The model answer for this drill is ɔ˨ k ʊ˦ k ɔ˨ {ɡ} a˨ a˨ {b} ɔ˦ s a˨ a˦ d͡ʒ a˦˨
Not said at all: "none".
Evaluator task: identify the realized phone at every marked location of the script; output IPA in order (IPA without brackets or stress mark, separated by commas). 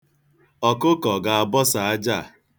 ɡ, b